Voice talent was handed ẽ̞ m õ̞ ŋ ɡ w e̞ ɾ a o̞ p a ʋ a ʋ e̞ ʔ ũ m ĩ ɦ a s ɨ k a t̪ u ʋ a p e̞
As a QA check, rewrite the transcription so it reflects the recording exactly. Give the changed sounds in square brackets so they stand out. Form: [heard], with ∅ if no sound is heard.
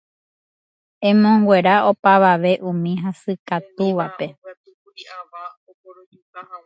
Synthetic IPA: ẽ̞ m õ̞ ŋ ɡ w e̞ ɾ a o̞ p a ʋ a ʋ e̞ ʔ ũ m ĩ ɦ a s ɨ k a t̪ u ʋ a p e̞